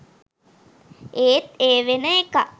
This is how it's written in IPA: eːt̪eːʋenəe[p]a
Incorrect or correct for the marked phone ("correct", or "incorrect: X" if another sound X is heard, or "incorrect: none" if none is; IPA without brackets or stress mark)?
incorrect: k